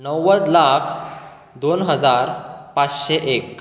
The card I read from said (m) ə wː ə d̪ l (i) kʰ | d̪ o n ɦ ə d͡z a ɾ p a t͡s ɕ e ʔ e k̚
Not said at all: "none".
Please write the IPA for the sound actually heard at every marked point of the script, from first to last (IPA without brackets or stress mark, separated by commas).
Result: n, a